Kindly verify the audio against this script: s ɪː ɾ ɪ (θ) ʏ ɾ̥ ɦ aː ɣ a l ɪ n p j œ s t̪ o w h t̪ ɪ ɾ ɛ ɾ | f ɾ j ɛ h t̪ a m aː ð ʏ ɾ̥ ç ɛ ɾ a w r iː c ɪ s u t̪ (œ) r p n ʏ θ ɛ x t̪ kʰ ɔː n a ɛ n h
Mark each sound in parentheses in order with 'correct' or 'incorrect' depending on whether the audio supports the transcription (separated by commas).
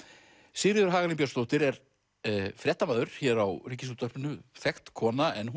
incorrect, correct